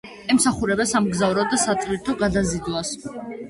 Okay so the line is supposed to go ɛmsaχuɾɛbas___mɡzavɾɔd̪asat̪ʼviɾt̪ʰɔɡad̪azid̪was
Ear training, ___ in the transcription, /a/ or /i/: a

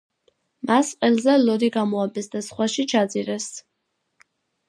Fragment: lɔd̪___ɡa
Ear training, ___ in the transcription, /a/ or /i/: i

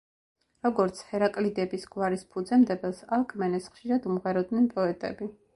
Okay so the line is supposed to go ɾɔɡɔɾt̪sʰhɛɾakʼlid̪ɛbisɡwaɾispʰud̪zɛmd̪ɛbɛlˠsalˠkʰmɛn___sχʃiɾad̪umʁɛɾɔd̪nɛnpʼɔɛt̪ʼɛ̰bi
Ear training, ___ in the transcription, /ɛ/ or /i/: ɛ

